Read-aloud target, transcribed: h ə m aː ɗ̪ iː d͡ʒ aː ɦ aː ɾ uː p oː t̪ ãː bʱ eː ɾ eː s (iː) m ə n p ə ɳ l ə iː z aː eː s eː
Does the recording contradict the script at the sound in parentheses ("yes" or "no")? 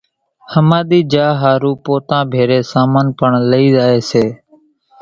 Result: yes